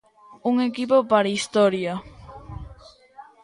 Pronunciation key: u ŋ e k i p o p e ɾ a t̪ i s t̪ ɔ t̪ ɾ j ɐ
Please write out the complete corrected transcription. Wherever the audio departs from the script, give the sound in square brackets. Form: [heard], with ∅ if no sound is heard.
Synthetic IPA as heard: u ŋ e k i p o p [a] ɾ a [∅] i s t̪ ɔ [∅] ɾ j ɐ